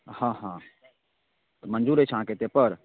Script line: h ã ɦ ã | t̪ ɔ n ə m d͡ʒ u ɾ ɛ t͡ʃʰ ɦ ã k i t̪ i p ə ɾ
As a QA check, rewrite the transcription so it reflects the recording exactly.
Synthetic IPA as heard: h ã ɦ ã | t̪ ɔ m ə n d͡ʒ u ɾ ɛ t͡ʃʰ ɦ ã k e t̪ e p ə ɾ